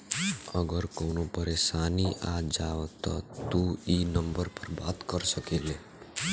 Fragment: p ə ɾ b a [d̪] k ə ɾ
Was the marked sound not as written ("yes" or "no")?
yes